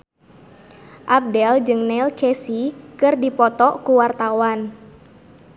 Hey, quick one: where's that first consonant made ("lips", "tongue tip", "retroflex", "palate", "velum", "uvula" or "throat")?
throat